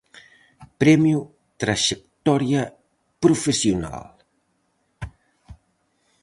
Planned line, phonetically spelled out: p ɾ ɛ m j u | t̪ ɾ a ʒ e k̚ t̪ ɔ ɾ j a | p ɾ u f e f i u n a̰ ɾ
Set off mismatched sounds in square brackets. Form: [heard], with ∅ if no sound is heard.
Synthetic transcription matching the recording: p ɾ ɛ m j u | t̪ ɾ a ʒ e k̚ t̪ ɔ ɾ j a | p ɾ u f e [s] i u n a̰ [l]